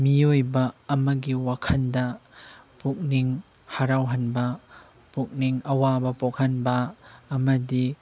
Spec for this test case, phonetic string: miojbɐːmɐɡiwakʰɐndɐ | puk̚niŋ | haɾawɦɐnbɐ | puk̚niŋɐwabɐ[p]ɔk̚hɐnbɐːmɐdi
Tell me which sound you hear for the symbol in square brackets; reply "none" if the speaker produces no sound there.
p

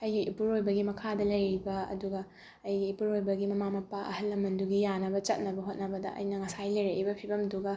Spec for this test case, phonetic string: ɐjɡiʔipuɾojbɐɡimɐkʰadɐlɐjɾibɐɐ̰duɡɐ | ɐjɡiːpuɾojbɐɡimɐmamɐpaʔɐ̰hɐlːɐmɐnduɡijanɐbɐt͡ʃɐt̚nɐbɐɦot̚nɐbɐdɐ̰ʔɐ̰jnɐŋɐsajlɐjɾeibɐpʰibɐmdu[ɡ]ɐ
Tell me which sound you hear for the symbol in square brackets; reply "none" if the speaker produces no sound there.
ɡ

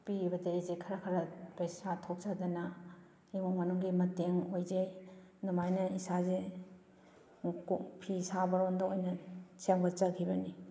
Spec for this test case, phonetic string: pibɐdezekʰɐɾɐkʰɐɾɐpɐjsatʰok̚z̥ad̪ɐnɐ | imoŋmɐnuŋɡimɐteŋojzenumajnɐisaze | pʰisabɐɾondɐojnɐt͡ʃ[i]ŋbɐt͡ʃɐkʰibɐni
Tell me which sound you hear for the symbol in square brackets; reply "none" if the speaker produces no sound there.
e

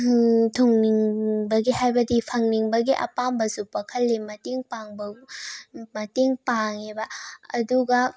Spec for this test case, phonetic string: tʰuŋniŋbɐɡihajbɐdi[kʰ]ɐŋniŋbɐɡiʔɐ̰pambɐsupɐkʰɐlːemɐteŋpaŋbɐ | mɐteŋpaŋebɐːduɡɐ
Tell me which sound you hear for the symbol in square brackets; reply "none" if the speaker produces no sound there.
pʰ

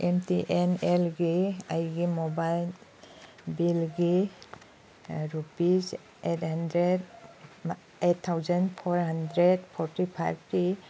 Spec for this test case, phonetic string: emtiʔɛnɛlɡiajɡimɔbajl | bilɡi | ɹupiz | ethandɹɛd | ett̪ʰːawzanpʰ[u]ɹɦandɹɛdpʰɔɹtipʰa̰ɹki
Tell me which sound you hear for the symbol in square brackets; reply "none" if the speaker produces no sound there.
ɔ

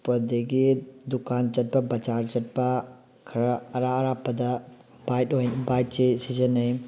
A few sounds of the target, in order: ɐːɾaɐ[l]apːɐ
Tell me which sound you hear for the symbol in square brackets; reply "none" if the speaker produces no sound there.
ɾ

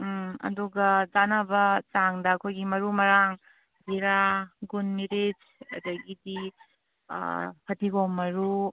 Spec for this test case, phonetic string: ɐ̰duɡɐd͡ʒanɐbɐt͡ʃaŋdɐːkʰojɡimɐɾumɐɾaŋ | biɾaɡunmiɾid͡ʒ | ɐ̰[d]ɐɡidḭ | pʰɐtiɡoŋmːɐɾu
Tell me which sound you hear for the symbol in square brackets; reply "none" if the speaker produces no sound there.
d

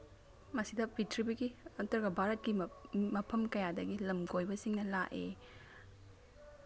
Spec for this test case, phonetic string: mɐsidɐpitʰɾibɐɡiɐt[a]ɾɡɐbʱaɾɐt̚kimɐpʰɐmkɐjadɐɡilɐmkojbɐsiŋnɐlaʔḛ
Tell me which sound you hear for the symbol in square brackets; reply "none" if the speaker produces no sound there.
ɐ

